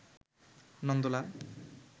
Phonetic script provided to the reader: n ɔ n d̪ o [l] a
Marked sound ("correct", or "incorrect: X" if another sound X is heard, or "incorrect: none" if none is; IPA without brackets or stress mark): correct